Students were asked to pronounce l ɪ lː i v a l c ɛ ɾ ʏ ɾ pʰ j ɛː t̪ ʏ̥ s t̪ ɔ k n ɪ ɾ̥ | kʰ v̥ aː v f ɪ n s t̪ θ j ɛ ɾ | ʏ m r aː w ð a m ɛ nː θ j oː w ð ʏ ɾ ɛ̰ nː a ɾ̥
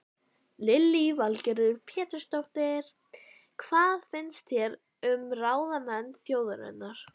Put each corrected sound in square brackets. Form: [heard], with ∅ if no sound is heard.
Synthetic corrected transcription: l ɪ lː i v a l c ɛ ɾ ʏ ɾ pʰ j ɛː t̪ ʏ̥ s t̪ ɔ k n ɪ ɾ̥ | kʰ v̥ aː [ð] f ɪ n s t̪ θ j ɛ ɾ | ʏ m r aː w ð a m ɛ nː θ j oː w ð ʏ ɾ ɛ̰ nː a ɾ̥